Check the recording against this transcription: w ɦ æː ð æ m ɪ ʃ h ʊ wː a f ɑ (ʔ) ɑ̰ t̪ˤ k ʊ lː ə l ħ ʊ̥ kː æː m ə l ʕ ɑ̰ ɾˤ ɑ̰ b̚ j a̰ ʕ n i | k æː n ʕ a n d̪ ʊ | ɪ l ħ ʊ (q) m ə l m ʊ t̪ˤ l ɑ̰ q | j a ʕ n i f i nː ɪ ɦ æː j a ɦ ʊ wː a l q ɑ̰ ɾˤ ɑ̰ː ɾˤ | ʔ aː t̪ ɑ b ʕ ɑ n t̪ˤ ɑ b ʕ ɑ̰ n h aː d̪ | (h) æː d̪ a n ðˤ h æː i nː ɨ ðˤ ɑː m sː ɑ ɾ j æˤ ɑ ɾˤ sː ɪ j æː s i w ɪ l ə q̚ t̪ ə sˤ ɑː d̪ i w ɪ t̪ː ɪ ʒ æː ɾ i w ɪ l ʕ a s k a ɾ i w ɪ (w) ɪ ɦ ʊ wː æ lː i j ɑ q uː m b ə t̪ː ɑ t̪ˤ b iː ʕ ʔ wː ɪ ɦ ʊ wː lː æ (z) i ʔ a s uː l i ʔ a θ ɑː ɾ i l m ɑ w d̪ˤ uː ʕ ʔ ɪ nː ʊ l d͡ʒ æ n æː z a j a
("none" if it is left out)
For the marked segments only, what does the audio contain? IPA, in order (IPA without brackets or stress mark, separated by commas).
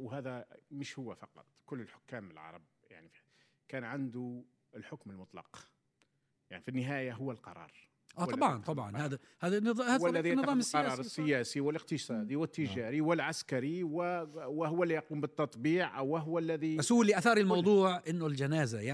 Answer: q, k, h, w, ð